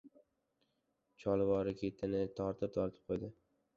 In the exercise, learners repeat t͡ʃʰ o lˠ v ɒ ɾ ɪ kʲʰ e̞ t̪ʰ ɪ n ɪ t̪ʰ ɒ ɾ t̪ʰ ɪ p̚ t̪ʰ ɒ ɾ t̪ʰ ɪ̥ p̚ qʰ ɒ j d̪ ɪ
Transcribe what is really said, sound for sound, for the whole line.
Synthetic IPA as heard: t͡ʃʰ ɒ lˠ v ɒ ɾ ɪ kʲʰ e̞ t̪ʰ ɪ n ɪ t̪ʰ ɒ ɾ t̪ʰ ɪ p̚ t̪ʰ ɒ ɾ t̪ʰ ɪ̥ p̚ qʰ o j d̪ ɪ